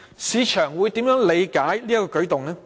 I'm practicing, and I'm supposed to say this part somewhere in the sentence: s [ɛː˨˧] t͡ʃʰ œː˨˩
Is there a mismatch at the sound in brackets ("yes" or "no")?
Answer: yes